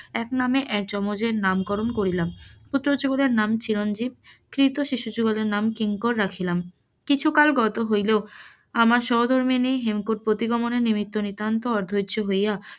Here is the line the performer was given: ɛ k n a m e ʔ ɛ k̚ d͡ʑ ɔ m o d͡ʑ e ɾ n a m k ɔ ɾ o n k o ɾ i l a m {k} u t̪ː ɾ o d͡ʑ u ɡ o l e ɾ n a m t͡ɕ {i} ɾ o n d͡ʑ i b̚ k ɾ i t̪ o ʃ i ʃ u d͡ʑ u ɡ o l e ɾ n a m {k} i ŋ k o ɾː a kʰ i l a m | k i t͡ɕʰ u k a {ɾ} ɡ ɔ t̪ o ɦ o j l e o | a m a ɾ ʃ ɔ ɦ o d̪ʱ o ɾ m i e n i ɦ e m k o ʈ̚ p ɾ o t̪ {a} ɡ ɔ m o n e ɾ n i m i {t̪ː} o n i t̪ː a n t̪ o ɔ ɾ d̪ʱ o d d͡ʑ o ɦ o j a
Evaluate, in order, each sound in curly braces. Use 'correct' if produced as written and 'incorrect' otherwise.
incorrect, correct, correct, incorrect, incorrect, correct

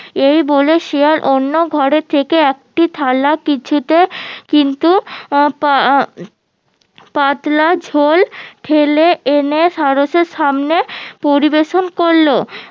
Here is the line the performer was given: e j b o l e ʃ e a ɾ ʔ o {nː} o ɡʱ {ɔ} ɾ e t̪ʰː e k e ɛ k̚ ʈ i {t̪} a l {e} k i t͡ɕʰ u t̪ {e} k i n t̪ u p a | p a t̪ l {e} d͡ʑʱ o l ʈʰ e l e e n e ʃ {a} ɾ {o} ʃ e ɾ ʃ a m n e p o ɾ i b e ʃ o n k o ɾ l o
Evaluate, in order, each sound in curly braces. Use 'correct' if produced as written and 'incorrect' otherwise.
correct, correct, incorrect, incorrect, correct, incorrect, correct, correct

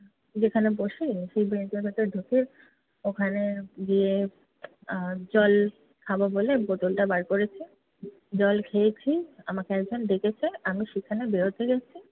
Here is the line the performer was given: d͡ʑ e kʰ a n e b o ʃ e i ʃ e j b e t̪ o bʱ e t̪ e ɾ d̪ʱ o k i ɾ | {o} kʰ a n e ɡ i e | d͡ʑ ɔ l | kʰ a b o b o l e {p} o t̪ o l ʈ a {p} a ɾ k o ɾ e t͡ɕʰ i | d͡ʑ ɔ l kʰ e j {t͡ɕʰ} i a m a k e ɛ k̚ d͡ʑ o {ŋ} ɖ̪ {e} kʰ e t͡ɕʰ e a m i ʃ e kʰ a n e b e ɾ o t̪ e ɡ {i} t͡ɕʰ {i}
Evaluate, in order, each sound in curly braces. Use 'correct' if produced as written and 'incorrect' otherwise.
correct, incorrect, incorrect, correct, incorrect, correct, incorrect, correct

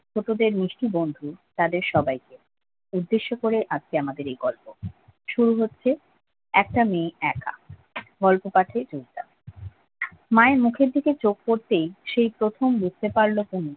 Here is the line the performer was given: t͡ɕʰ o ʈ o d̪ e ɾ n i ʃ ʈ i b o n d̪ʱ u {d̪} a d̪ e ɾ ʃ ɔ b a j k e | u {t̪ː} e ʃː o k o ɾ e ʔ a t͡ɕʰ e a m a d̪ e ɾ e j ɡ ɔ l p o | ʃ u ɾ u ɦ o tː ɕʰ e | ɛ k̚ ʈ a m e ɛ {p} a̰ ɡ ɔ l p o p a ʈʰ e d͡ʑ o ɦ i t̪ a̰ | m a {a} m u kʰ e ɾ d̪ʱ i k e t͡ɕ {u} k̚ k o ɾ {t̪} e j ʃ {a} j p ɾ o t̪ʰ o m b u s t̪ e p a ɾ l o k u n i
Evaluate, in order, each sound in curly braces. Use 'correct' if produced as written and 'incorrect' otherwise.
incorrect, incorrect, incorrect, incorrect, incorrect, correct, incorrect

